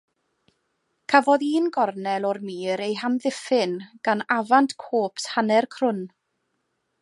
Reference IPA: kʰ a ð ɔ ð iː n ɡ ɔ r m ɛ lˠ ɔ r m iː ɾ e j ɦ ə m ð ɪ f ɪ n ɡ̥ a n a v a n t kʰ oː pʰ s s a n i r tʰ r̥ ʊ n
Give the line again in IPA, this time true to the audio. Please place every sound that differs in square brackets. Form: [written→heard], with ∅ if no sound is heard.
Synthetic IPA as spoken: kʰ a [ð→v] ɔ ð iː n ɡ ɔ r [m→n] ɛ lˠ ɔ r m iː ɾ e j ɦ [ə→a] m ð ɪ f ɪ n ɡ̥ a n a v a n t kʰ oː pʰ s [s→h] a n [i→ɛ] r [tʰ→kʰ] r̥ ʊ n